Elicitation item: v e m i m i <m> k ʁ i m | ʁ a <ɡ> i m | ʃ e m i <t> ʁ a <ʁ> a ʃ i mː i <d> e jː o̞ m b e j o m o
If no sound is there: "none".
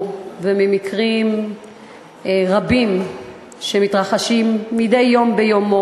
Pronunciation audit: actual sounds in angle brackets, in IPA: none, b, t, χ, d

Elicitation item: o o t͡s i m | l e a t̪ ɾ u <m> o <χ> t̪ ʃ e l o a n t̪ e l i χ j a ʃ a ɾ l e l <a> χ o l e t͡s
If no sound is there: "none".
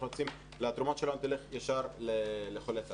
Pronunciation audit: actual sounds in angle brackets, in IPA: m, none, e

